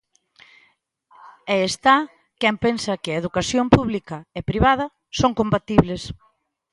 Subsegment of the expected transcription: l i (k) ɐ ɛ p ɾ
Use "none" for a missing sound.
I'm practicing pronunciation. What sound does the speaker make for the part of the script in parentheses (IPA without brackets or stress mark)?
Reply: k